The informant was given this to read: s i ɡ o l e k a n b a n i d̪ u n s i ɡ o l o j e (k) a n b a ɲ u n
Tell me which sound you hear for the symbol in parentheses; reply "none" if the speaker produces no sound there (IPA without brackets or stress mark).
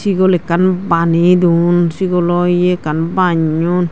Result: k